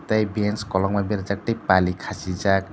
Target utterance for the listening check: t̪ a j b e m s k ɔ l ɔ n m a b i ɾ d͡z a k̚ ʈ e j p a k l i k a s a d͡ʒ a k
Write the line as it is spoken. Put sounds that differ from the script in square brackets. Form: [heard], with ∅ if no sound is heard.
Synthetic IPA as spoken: t̪ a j b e [n] s k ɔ l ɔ [ŋ] m a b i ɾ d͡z a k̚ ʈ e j p a [∅] l i [kʰ] a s [i] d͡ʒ a k